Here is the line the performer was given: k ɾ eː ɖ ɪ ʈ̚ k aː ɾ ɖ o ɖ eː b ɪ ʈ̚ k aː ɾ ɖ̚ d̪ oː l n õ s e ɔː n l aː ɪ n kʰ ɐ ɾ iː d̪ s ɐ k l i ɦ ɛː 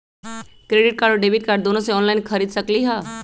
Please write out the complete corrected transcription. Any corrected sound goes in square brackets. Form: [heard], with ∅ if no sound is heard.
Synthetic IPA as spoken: k ɾ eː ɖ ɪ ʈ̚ k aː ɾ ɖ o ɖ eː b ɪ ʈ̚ k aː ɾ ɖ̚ d̪ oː [∅] n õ s e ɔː n l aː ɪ n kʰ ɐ ɾ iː d̪ s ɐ k l i ɦ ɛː